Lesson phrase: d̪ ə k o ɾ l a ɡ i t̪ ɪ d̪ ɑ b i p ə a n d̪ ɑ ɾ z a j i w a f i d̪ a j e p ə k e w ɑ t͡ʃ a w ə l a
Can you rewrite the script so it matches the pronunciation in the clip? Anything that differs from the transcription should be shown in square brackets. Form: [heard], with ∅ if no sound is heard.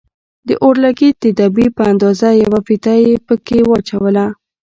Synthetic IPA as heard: d̪ ə [ʔ] o ɾ l a ɡ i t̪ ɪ d̪ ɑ b i p ə a n d̪ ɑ [∅] z a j [a] w a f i [t̪] a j e p ə k e w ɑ t͡ʃ a w ə l a